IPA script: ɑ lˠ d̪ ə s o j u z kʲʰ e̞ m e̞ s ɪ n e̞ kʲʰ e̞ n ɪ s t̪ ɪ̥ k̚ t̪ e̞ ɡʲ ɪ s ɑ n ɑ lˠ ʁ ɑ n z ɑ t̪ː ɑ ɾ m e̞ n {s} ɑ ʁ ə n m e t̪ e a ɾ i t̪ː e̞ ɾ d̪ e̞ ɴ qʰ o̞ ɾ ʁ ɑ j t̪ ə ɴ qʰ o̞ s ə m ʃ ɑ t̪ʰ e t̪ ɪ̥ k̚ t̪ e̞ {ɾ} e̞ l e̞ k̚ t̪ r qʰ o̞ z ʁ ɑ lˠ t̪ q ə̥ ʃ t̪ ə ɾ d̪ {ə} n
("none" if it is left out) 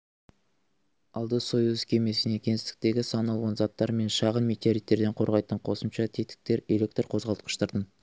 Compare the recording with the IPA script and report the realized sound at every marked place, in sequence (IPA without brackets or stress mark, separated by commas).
ʃ, ɾ, ə